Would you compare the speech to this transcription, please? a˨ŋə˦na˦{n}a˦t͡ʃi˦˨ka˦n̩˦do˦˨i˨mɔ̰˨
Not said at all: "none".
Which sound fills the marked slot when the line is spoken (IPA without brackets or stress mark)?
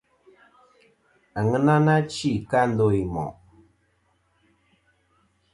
n